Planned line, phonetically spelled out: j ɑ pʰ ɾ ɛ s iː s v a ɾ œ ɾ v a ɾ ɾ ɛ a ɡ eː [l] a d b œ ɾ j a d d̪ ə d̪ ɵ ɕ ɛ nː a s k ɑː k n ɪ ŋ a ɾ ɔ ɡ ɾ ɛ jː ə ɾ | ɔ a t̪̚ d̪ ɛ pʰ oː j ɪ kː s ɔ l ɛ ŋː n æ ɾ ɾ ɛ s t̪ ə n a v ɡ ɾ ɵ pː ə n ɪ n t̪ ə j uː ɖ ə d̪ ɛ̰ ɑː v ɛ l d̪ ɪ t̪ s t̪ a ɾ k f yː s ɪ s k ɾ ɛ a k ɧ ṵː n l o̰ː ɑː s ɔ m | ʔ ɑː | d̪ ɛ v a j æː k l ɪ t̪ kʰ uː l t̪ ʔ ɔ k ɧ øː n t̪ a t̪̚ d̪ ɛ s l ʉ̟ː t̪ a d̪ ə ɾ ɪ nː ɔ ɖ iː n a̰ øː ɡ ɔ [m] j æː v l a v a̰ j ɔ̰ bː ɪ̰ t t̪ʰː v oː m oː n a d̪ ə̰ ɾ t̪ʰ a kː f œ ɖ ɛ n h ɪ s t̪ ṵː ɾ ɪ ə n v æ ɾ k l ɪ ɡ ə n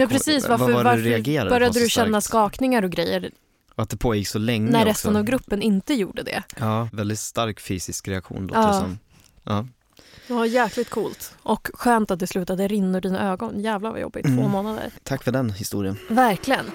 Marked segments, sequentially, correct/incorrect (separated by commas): incorrect, incorrect